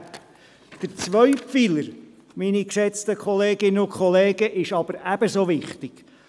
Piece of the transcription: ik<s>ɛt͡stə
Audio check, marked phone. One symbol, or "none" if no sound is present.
ʃ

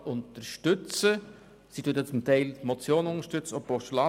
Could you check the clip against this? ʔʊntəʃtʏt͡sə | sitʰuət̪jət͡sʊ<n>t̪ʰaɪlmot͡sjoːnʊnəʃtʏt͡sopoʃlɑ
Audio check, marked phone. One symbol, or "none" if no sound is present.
m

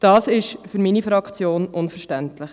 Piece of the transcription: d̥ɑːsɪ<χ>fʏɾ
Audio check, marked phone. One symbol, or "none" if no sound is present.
ʃ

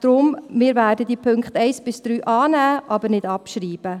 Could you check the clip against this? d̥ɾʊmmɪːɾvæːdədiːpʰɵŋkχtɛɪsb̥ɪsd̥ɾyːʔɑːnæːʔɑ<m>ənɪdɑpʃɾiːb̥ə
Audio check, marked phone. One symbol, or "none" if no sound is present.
b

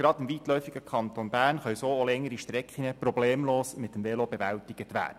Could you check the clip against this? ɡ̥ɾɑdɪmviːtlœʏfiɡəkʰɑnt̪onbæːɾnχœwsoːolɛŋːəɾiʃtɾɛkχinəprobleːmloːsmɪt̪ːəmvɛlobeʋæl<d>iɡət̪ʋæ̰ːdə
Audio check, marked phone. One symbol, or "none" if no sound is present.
t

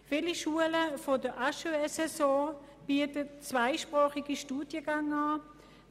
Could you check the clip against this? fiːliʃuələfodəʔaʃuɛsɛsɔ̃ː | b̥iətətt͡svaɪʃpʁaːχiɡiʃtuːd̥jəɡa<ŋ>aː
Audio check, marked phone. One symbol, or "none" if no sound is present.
ŋ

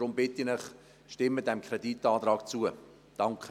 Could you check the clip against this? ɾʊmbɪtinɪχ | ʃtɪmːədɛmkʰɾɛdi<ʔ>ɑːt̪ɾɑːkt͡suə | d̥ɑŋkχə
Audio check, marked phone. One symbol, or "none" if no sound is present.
t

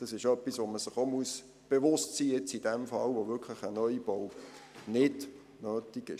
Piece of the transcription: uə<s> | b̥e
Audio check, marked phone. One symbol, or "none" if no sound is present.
s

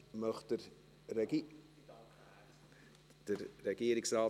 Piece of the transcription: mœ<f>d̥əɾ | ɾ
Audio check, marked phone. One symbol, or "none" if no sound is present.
χ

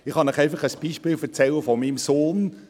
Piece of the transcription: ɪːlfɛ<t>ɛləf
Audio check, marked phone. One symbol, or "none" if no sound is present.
t͡s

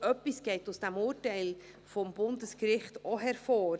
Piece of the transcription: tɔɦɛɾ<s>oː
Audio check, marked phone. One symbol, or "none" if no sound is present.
f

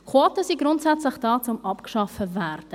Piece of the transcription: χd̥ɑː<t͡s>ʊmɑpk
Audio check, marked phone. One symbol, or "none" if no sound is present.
t͡s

